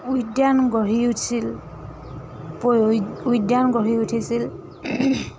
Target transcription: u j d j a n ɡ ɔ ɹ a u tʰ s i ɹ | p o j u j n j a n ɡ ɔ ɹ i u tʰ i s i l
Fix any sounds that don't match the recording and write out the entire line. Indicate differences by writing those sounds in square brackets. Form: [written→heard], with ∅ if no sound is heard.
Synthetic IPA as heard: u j d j a n ɡ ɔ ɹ [a→i] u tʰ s i [ɹ→l] | p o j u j [n→d] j a n ɡ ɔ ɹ i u tʰ i s i l